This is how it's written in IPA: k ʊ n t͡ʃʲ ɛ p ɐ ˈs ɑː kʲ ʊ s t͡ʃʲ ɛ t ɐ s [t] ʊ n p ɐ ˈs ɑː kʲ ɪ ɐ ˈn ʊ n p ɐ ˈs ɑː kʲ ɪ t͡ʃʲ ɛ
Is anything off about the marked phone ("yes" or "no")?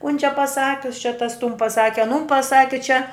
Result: no